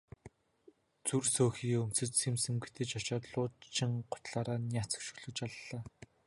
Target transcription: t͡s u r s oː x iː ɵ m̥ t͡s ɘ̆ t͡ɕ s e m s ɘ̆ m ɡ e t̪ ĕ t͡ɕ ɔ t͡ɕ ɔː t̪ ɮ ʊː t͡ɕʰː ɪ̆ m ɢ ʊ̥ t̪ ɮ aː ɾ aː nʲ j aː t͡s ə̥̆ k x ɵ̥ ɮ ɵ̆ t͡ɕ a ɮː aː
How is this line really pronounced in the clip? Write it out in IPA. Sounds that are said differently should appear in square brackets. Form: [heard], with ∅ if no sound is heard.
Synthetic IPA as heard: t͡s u r s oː x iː ɵ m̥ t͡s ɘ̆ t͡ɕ s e m s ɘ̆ m ɡ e t̪ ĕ t͡ɕ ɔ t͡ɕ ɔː t̪ ɮ ʊː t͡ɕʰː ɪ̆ [ŋ] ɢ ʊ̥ t̪ ɮ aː ɾ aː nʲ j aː t͡s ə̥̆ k [ʃ] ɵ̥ ɮ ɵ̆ t͡ɕ a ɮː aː